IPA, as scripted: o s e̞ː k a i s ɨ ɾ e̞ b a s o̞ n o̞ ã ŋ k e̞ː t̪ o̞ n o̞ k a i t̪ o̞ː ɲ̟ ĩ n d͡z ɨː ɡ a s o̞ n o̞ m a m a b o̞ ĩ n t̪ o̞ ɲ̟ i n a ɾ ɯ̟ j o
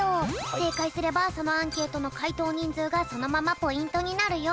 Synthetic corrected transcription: o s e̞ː k a i s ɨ ɾ e̞ b a s o̞ n o̞ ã ŋ k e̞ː t̪ o̞ n o̞ k a i t̪ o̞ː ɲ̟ ĩ n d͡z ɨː ɡ a s o̞ n o̞ m a m a p o̞ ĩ n t̪ o̞ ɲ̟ i n a ɾ ɯ̟ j o